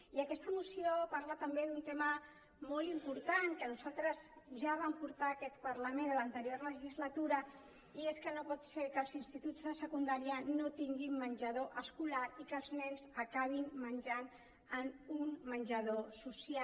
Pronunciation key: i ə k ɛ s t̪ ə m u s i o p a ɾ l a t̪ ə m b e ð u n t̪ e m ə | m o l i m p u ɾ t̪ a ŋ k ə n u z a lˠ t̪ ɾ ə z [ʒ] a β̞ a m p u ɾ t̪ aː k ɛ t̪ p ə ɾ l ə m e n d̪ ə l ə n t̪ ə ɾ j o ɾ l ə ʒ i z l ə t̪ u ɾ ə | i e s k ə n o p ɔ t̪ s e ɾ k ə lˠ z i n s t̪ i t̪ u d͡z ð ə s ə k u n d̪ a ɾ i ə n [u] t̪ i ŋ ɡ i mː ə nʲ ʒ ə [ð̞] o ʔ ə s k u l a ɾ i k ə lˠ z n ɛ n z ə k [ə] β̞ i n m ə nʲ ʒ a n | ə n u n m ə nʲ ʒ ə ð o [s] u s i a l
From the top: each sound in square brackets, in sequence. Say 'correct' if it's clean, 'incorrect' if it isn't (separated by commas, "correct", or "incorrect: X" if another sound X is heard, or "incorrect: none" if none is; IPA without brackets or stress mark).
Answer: correct, incorrect: o, correct, incorrect: a, correct